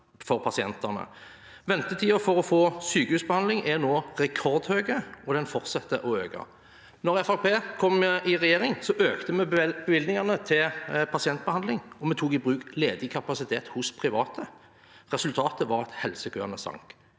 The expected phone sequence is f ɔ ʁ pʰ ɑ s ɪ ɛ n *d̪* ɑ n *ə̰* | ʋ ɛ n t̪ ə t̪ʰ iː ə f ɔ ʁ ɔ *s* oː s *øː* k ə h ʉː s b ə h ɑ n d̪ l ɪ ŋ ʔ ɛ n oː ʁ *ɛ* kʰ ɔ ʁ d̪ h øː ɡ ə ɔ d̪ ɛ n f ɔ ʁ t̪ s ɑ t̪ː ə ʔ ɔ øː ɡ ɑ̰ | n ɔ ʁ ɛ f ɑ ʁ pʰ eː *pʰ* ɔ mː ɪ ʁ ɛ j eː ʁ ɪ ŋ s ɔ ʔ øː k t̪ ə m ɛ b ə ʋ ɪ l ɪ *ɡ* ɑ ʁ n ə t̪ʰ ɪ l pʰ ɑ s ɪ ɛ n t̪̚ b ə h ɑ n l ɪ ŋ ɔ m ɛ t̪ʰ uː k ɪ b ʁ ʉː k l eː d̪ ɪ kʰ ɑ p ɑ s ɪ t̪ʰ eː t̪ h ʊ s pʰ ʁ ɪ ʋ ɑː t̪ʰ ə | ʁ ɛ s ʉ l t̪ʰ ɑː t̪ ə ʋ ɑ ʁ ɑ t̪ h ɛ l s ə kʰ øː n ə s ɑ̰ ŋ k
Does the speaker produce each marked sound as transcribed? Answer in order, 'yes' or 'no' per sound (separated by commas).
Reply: no, yes, no, no, yes, no, no